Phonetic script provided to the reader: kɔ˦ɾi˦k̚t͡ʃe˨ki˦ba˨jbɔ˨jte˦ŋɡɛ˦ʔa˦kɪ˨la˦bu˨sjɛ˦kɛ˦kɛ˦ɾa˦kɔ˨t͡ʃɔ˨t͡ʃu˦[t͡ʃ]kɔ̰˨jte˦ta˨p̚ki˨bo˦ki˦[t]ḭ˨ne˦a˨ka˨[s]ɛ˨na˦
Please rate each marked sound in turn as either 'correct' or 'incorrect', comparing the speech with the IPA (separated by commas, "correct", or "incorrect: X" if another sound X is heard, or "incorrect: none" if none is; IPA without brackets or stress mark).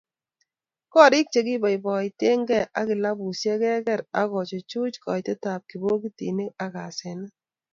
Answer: correct, correct, correct